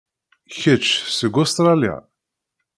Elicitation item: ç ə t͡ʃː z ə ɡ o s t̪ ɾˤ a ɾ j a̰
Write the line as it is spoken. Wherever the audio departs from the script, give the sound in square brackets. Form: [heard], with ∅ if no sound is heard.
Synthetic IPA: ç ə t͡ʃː [s] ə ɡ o s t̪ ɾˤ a [l] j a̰